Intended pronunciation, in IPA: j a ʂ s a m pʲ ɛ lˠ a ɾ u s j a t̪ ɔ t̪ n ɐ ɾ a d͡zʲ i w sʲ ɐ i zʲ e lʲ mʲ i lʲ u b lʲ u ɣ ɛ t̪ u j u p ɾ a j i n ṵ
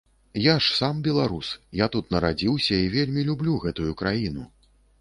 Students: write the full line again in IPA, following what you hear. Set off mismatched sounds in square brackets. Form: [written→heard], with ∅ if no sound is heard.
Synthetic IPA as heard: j a ʂ s a m [pʲ→bʲ] ɛ lˠ a ɾ u s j a t̪ [ɔ→u] t̪ n ɐ ɾ a d͡zʲ i w sʲ ɐ i [zʲ→vʲ] e lʲ mʲ i lʲ u b lʲ u ɣ ɛ t̪ u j u [p→k] ɾ a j i n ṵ